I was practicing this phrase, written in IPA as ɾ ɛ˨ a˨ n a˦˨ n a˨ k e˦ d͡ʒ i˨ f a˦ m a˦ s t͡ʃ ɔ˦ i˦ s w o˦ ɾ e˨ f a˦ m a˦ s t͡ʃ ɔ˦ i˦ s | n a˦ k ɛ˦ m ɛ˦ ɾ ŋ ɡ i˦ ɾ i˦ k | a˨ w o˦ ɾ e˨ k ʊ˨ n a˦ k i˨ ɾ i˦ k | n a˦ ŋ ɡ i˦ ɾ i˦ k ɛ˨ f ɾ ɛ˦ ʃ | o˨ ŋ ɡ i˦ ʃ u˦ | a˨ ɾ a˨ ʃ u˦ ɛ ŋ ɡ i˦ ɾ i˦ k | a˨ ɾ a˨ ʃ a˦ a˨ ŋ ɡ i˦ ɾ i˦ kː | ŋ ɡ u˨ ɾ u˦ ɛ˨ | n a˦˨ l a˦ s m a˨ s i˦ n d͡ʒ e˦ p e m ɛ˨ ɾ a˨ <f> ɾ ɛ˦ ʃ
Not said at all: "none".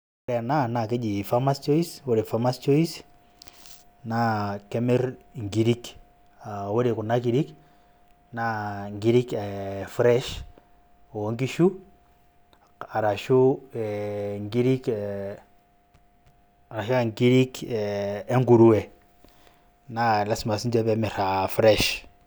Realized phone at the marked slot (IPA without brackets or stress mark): f